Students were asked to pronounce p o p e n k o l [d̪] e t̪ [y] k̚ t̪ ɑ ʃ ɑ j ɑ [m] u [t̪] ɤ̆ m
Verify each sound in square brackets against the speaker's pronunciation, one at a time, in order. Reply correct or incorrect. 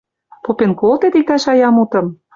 incorrect: t̪, incorrect: i, correct, correct

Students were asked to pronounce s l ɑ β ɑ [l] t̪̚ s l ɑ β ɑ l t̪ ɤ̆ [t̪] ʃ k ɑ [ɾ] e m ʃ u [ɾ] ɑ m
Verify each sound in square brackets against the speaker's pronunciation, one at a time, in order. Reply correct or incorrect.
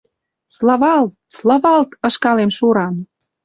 correct, incorrect: none, incorrect: l, correct

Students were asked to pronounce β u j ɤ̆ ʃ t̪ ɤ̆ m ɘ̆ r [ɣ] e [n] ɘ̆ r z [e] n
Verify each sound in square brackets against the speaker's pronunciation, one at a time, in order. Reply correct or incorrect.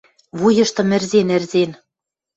incorrect: z, correct, correct

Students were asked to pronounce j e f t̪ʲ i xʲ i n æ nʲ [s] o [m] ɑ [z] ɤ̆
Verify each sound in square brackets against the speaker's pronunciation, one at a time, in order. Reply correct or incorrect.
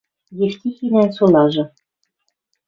correct, incorrect: n, incorrect: ʒ

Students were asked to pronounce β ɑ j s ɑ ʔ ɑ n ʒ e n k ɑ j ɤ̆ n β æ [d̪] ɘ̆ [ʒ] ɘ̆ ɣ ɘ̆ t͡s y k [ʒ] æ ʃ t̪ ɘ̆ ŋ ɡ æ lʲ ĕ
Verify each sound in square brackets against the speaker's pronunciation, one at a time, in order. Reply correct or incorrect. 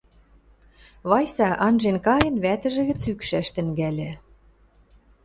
incorrect: t̪, correct, incorrect: ʃ

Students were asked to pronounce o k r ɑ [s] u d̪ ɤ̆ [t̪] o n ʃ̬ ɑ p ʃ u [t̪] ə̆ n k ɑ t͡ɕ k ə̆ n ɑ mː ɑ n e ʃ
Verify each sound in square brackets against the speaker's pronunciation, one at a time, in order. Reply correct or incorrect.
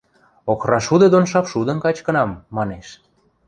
incorrect: ʃ, incorrect: d̪, incorrect: d̪

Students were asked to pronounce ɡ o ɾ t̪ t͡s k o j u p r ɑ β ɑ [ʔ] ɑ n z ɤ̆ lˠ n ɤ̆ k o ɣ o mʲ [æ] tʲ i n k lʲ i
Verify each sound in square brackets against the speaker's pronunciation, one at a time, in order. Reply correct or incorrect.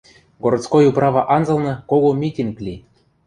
correct, incorrect: i

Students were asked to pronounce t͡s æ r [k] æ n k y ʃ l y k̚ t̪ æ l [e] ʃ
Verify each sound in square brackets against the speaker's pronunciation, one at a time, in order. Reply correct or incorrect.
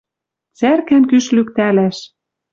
correct, incorrect: æ

